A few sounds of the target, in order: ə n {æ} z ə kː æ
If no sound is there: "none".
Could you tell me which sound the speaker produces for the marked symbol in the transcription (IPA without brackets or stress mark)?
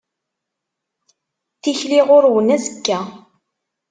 æ